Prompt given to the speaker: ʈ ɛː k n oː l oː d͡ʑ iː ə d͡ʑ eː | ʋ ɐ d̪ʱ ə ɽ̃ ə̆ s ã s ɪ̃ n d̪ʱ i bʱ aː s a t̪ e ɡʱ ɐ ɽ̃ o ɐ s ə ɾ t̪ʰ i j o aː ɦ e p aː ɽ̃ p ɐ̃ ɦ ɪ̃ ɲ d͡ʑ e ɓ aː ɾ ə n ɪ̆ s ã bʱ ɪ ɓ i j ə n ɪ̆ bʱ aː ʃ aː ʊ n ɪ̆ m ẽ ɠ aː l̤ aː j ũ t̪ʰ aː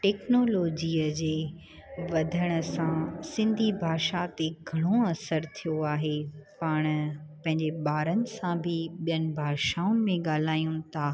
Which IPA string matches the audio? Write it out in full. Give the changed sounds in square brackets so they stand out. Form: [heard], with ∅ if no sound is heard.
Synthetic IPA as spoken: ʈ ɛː k n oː l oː d͡ʑ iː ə d͡ʑ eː | ʋ ɐ d̪ʱ ə ɽ̃ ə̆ s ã s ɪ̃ n d̪ʱ i bʱ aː [ʃ] a t̪ e ɡʱ ɐ ɽ̃ o ɐ s ə ɾ t̪ʰ i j o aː ɦ e p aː ɽ̃ p ɐ̃ ɦ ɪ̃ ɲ d͡ʑ e ɓ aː ɾ ə n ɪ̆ s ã bʱ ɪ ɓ i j ə n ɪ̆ bʱ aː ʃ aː ʊ n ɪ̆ m ẽ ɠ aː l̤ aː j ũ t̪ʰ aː